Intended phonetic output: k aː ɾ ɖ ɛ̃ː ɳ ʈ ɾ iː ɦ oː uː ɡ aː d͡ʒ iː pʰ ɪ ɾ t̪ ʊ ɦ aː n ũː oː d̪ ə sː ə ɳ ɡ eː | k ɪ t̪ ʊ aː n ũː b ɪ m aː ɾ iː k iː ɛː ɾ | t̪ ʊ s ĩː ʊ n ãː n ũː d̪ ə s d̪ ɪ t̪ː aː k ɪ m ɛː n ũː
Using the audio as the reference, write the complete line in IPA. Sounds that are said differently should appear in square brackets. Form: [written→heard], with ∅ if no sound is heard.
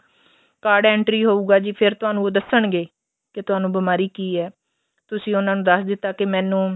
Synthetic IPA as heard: k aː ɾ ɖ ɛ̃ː ɳ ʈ ɾ iː ɦ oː uː ɡ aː d͡ʒ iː pʰ ɪ ɾ t̪ ʊ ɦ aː n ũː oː d̪ ə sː ə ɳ ɡ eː | k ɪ t̪ ʊ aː n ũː b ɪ m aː ɾ iː k iː ɛː [ɾ→∅] | t̪ ʊ s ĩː ʊ n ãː n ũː d̪ ə s d̪ ɪ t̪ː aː k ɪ m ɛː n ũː